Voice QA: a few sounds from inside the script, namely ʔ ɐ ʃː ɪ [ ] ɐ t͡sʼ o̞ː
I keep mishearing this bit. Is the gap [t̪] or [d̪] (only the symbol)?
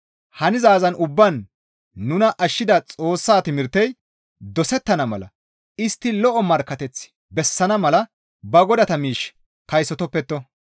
d̪